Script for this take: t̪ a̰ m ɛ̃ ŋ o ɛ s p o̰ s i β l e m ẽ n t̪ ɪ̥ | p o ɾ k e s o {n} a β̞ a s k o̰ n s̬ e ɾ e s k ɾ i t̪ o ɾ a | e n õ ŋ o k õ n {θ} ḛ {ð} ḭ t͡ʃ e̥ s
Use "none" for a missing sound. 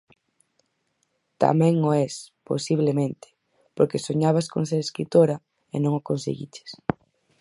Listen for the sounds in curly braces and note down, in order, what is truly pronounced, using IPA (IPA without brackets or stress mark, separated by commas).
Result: ɲ, s, ɣ